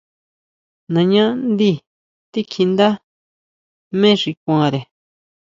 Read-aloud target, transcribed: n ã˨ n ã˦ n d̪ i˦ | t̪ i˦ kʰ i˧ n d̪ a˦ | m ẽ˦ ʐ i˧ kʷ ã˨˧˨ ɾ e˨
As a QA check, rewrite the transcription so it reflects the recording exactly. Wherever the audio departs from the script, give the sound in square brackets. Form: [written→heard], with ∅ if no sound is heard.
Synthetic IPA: n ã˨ [n→ɲ] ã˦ n d̪ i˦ | t̪ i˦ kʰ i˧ n d̪ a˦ | m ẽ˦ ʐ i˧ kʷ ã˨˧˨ ɾ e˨